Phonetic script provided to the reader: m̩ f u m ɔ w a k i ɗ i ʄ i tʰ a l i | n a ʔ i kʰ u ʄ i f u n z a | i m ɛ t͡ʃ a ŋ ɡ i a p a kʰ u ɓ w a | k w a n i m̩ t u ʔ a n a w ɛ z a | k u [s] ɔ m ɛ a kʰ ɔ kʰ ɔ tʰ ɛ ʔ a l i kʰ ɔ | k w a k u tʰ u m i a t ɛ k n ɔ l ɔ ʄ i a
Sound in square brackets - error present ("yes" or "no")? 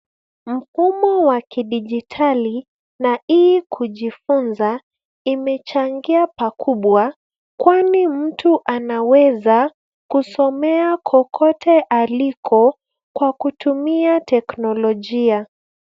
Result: no